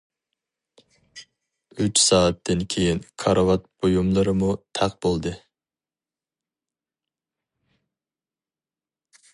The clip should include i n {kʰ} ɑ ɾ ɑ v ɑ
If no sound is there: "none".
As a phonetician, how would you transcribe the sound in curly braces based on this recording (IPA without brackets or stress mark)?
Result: kʰ